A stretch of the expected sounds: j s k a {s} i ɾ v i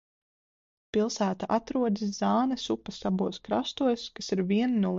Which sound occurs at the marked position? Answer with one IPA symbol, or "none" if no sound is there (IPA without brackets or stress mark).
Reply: s